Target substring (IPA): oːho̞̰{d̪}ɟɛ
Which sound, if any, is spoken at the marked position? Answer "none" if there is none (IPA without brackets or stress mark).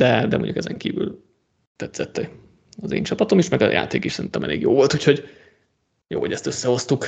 none